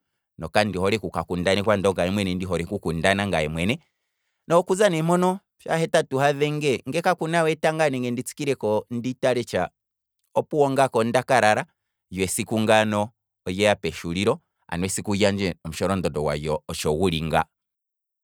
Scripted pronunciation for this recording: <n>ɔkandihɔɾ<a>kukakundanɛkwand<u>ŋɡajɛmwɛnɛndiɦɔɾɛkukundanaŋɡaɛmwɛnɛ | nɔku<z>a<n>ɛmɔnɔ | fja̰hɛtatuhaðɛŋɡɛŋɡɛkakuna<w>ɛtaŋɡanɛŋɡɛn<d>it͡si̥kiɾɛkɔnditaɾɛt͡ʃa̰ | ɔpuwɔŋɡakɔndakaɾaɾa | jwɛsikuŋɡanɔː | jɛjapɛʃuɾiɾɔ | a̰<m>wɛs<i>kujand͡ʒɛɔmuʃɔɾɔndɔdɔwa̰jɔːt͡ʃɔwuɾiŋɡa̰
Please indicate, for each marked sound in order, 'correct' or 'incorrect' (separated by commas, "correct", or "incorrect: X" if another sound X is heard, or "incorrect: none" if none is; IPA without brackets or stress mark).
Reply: correct, incorrect: ɛ, incorrect: ɔ, correct, correct, correct, correct, incorrect: n, correct